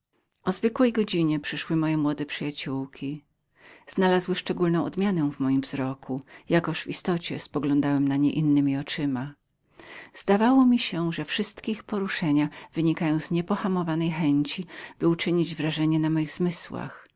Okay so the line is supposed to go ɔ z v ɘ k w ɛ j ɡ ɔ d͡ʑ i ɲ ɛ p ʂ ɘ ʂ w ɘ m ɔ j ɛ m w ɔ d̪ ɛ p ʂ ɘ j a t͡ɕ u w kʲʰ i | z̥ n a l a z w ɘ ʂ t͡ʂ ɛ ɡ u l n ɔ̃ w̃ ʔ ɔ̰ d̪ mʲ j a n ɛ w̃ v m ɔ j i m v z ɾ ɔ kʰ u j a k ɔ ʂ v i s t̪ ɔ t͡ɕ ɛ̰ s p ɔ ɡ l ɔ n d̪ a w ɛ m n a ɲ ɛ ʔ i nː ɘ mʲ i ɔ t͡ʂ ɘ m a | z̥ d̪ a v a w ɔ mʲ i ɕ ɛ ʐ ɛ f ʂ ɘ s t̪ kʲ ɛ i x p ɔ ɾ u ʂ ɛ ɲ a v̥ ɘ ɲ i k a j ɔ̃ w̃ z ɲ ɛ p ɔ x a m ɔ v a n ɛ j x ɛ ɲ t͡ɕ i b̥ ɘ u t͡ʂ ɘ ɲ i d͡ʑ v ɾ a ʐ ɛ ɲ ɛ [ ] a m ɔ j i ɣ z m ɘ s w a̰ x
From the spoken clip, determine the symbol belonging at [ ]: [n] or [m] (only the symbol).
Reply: n